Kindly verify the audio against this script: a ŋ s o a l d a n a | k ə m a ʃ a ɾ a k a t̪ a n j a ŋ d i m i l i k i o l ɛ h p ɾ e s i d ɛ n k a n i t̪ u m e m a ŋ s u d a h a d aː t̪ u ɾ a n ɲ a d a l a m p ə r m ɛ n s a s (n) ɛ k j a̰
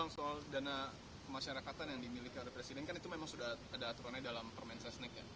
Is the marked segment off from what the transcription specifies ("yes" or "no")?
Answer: no